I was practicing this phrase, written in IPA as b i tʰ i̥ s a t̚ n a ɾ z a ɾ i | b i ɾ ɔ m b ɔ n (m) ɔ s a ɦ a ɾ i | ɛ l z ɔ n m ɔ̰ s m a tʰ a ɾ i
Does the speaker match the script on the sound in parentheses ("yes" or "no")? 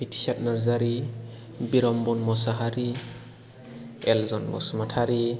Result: yes